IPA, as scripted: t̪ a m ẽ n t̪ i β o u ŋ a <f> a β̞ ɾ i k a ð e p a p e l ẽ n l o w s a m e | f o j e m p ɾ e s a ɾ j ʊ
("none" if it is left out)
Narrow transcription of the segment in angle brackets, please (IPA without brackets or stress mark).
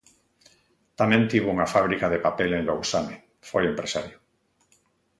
f